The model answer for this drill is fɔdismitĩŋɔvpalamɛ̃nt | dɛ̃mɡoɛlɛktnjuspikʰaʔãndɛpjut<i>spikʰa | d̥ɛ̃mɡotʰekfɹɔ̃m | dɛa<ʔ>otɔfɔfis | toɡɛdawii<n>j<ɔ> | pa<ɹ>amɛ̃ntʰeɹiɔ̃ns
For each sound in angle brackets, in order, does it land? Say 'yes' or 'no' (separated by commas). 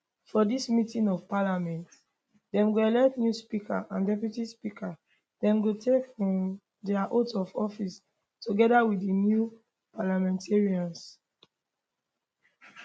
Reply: yes, yes, yes, no, no